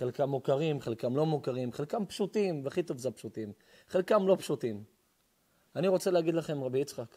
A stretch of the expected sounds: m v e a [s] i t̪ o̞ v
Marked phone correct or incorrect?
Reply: incorrect: χ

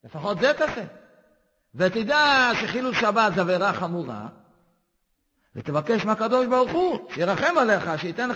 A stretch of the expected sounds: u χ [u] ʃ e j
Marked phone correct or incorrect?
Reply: correct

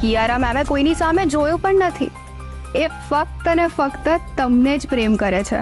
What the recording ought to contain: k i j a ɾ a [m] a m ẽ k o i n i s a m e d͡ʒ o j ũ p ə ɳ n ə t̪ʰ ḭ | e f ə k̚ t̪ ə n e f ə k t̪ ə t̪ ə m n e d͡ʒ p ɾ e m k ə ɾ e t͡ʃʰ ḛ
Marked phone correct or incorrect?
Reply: correct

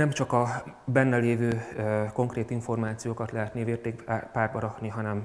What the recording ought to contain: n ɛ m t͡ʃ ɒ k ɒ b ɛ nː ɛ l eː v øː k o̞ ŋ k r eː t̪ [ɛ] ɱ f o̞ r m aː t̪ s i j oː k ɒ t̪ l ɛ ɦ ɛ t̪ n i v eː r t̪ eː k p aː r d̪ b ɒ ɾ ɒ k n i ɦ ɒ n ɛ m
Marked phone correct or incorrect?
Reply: incorrect: i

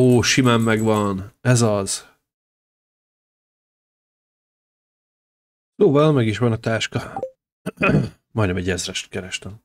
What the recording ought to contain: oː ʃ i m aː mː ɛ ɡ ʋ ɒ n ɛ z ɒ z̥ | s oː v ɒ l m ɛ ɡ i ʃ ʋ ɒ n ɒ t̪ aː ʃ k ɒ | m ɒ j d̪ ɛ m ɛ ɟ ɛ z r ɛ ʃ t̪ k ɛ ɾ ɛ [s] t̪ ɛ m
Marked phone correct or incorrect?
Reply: incorrect: ʃ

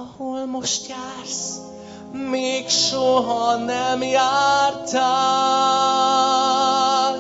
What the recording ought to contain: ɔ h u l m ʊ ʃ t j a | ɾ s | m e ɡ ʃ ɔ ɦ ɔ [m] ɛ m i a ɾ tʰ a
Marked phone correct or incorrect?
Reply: incorrect: n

